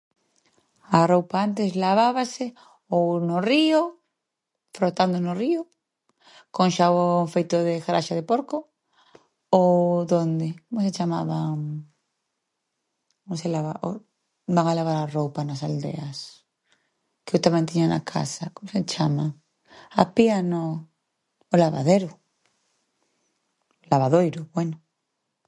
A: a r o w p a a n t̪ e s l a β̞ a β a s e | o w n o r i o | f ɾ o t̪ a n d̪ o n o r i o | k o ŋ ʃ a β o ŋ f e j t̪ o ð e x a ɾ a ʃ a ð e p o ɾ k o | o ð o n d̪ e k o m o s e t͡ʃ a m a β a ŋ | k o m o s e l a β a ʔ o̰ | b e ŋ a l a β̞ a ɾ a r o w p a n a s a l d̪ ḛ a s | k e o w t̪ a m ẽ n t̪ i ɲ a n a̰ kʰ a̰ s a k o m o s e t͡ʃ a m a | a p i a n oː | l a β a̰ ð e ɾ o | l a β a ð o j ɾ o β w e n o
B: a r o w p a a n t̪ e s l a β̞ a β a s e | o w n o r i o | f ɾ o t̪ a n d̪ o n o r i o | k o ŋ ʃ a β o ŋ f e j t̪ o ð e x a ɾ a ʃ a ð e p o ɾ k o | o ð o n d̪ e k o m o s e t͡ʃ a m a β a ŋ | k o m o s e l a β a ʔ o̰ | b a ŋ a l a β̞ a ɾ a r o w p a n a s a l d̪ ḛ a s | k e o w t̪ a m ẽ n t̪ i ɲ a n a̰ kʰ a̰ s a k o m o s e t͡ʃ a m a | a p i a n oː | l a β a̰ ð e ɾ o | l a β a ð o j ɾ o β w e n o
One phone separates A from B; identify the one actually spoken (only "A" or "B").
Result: B